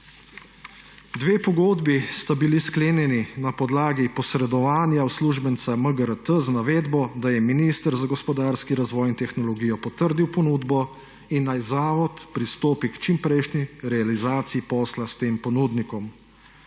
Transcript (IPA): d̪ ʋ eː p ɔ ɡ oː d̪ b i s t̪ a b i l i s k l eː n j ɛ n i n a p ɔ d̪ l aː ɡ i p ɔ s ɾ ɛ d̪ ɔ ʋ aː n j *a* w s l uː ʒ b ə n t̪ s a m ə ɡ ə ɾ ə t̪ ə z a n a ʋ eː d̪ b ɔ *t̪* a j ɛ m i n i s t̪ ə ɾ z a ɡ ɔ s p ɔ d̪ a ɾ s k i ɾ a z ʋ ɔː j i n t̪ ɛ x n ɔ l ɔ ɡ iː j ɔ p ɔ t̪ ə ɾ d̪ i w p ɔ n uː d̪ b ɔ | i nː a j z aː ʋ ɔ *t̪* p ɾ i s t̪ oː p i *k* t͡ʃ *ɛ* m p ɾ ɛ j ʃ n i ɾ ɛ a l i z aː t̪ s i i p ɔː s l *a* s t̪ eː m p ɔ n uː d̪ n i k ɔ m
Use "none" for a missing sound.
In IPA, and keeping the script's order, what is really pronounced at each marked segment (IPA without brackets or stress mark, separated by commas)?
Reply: a, d̪, t̪, k, i, a